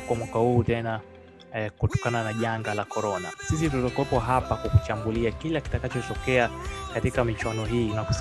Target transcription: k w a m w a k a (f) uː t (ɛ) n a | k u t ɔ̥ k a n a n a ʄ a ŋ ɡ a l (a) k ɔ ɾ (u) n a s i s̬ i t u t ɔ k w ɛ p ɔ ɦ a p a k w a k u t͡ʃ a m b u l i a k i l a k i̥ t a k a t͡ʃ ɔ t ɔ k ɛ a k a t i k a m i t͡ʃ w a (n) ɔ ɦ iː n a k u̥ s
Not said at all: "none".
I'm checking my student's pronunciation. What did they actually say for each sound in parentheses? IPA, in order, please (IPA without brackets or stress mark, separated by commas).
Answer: h, ɛ, a, ɔ, n